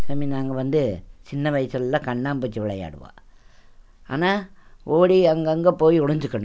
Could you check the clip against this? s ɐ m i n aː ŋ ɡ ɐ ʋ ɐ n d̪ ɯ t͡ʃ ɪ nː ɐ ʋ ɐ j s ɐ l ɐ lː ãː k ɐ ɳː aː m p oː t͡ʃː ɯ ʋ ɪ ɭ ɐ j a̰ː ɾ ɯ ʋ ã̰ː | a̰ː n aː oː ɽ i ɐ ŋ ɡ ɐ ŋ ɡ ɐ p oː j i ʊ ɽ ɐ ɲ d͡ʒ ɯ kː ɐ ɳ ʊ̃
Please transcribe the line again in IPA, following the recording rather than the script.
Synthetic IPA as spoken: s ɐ m i n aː ŋ ɡ ɐ ʋ ɐ n d̪ ɯ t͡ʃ ɪ nː ɐ ʋ ɐ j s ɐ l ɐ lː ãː k ɐ ɳː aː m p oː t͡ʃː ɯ ʋ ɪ ɭ ɐ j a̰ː ɽ ɯ ʋ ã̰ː | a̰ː n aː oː ɽ i ɐ ŋ ɡ ɐ ŋ ɡ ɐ p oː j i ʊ ɽ ɐ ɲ d͡ʒ ɯ kː ɐ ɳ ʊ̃